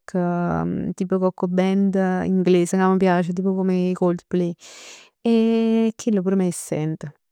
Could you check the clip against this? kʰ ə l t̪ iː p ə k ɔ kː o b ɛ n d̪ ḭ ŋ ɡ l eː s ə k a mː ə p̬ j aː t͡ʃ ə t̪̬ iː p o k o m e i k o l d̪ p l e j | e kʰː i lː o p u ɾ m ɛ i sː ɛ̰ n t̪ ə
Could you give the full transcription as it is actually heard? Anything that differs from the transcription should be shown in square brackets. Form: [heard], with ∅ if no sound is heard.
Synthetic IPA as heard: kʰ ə [∅] t̪ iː p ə k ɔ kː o b ɛ n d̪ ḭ ŋ ɡ l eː s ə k a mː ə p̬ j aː t͡ʃ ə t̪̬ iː p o k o m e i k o l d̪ p l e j | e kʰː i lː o p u ɾ m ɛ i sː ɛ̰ n t̪ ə